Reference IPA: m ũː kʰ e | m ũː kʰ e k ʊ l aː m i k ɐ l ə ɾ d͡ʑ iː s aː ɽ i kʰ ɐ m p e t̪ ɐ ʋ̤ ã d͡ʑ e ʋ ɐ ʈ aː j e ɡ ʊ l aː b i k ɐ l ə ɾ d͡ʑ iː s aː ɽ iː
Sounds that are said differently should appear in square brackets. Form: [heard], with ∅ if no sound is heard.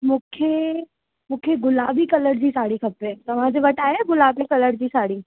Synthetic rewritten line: m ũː kʰ e | m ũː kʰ e [ɡ] ʊ l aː [b] i k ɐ l ə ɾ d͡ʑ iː s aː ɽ i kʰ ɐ [∅] p e t̪ ɐ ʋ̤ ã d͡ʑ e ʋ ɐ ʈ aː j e ɡ ʊ l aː b i k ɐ l ə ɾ d͡ʑ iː s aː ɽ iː